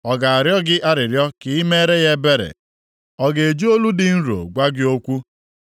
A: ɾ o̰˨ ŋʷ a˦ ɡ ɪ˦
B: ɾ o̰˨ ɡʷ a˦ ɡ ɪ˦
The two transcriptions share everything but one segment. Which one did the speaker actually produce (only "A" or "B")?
B